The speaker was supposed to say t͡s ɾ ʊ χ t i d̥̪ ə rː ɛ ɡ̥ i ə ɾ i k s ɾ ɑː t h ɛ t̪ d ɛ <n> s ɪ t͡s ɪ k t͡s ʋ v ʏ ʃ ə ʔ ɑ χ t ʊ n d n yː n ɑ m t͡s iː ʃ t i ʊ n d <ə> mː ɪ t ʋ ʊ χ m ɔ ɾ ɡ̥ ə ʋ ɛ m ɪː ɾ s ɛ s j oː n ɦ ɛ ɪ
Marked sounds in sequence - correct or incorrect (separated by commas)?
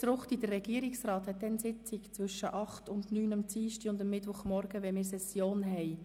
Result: correct, correct